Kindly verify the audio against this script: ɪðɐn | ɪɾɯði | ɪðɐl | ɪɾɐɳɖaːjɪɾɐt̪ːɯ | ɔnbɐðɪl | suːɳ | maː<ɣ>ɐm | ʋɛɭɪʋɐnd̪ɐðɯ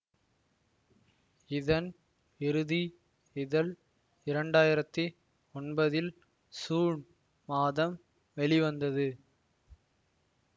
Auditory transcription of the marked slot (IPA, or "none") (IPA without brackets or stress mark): ð